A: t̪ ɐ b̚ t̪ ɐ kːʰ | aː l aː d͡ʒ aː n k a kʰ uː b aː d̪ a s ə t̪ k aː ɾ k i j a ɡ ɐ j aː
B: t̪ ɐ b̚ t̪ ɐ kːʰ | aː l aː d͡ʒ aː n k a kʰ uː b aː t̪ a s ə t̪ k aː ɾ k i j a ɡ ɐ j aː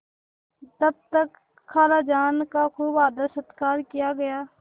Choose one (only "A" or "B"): A